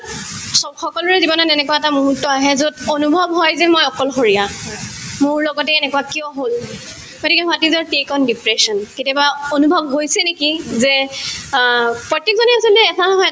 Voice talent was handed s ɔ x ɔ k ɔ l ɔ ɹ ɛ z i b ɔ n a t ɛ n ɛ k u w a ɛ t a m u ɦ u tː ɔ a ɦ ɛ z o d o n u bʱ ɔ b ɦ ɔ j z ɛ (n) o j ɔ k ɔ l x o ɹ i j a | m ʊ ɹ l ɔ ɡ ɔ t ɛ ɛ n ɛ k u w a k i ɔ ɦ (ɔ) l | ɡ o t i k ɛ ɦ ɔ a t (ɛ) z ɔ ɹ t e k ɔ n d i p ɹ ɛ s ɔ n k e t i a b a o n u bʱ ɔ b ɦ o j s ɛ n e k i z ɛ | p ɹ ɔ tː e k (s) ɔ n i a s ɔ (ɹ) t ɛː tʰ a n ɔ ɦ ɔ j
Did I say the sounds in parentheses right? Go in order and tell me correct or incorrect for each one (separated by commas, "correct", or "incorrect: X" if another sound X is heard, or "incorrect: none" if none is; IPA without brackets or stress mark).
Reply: incorrect: m, incorrect: o, incorrect: i, incorrect: z, incorrect: l